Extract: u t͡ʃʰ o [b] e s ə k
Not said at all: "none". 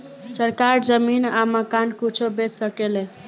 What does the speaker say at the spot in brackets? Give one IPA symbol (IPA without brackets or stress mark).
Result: b